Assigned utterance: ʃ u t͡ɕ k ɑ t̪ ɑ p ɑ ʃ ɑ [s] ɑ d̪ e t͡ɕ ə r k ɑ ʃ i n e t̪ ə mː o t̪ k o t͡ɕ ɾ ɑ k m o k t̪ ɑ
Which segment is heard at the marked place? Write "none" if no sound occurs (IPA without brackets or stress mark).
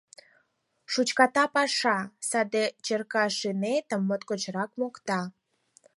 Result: s